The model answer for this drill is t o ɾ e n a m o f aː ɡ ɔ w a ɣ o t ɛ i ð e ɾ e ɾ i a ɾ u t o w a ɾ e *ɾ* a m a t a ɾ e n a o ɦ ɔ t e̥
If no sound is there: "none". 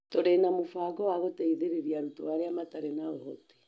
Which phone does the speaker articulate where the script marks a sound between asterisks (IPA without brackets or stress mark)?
none